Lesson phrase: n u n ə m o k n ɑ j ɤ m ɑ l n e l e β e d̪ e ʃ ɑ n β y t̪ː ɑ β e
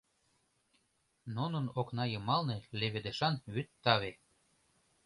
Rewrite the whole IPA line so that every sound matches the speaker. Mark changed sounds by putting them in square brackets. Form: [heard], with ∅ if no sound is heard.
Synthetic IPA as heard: n u n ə [n] o k n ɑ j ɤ m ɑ l n e l e β e d̪ e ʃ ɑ n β y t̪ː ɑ β e

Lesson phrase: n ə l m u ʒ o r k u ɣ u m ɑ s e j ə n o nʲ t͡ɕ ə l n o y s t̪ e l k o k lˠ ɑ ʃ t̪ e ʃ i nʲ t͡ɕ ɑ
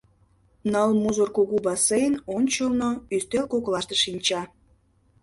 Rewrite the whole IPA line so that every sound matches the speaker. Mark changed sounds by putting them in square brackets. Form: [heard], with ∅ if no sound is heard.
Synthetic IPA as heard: n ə l m u [z] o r k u ɣ u [b] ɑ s e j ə n o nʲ t͡ɕ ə l n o y s t̪ e l k o k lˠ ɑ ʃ t̪ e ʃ i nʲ t͡ɕ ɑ

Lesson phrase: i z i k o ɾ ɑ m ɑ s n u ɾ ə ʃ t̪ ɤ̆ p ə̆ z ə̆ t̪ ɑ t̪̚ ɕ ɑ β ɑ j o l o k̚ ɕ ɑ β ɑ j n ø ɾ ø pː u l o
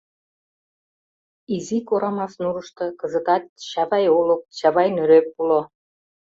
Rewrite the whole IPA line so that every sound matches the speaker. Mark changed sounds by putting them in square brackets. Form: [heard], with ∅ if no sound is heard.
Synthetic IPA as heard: i z i k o ɾ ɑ m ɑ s n u ɾ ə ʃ t̪ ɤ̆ [k] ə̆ z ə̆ t̪ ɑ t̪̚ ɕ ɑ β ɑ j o l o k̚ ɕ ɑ β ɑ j n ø ɾ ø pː u l o

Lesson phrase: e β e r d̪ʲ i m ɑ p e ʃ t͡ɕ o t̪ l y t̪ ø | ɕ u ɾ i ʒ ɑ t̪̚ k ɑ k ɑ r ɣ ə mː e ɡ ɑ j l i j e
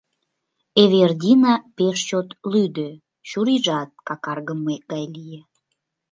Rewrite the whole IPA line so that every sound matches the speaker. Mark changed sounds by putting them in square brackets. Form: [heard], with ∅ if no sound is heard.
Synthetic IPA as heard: e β e r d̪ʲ i [n] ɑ p e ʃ t͡ɕ o t̪ l y [d̪] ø | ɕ u ɾ i ʒ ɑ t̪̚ k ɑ k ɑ r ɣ ə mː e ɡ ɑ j l i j e

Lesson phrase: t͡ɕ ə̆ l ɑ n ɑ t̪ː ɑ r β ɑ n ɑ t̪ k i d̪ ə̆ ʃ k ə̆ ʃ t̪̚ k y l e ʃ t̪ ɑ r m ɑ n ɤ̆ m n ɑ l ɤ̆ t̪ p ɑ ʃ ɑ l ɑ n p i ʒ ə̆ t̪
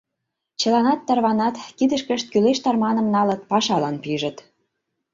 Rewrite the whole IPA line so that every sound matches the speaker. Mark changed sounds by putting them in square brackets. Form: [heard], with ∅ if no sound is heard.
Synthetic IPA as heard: t͡ɕ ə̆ l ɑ n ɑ t̪ː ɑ r β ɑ n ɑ t̪ k i d̪ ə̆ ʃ k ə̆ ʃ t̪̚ k y l e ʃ t̪ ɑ r m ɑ n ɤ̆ m n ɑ l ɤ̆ t̪ p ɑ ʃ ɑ l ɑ n p i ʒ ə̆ t̪

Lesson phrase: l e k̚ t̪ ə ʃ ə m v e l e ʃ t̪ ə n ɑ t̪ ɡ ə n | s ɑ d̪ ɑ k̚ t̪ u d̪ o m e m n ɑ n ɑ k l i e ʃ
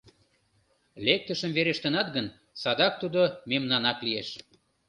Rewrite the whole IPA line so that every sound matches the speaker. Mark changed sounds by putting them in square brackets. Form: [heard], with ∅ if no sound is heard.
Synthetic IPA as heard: l e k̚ t̪ ə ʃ ə m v e [ɾ] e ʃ t̪ ə n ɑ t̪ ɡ ə n | s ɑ d̪ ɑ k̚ t̪ u d̪ o m e m n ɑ n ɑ k l i e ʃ

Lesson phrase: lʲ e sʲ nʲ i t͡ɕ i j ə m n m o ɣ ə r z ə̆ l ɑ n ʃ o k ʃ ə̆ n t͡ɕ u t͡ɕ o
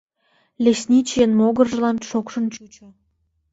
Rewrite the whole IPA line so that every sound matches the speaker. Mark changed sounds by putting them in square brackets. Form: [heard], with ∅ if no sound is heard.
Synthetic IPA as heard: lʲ e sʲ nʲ i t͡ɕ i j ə [∅] n m o ɣ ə r [ʒ] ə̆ l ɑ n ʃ o k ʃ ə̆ n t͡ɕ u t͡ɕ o

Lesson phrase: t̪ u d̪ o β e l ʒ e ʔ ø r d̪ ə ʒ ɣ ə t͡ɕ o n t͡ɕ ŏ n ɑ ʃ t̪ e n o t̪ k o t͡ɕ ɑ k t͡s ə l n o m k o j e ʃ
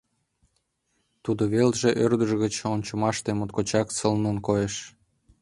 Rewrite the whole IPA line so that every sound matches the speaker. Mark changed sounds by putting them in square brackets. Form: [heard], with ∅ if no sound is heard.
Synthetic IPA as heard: t̪ u d̪ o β e l ʒ e ʔ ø r d̪ ə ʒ ɣ ə t͡ɕ o n t͡ɕ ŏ [m] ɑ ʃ t̪ e [m] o t̪ k o t͡ɕ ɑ k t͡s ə l n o [n] k o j e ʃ

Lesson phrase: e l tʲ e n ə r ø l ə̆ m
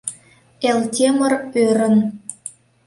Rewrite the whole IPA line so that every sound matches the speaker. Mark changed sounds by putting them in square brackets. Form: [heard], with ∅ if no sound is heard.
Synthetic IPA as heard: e l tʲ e [m] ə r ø [ɾ] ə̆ [n]

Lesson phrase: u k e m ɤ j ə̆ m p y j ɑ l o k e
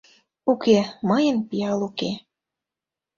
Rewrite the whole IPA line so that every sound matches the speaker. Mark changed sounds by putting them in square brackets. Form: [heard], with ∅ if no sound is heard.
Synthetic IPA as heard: u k e m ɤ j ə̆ [n] p [i] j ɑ l [u] k e

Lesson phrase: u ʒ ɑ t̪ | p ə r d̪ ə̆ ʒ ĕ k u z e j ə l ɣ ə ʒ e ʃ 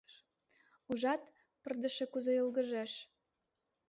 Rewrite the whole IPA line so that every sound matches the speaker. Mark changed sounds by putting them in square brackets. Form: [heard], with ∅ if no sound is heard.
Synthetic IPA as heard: u ʒ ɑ t̪ | p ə r d̪ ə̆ [ʃ] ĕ k u z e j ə l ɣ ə ʒ e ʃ

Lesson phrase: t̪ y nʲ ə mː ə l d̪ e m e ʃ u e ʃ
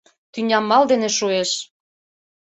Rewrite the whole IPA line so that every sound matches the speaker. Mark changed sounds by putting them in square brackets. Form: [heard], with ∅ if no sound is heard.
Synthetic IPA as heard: t̪ y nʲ [ɑ] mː [ɑ] l d̪ e [n] e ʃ u e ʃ

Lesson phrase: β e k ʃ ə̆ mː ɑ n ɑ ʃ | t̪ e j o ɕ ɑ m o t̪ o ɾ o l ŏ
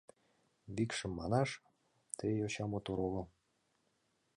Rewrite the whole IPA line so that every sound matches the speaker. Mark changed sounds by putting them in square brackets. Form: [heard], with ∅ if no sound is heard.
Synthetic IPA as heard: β [i] k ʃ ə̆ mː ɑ n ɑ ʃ | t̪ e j o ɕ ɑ m o t̪ o ɾ o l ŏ

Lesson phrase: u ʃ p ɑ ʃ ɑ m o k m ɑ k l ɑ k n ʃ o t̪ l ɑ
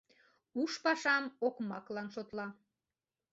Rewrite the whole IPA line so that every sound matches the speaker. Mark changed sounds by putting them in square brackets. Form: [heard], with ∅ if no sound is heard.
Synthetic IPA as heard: u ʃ p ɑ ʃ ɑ m o k m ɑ k l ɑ [∅] n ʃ o t̪ l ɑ

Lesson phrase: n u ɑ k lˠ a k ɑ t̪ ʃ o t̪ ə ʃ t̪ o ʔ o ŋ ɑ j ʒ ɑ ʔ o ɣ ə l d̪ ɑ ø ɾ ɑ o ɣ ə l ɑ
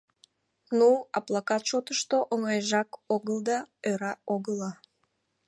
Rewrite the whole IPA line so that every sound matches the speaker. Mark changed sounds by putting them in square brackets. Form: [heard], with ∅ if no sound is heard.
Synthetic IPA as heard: n u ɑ [p] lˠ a k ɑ t̪ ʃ o t̪ ə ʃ t̪ o ʔ o ŋ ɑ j ʒ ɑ [k] o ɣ ə l d̪ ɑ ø ɾ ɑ o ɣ ə l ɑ

